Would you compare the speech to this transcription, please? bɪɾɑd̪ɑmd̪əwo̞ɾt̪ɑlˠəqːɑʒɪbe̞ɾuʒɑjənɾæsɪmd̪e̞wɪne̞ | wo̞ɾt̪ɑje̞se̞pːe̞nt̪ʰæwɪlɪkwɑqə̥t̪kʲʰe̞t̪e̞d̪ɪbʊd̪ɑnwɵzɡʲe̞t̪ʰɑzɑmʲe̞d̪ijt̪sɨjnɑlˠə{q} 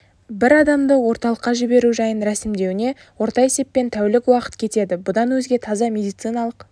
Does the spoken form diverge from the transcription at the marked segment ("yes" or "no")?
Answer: no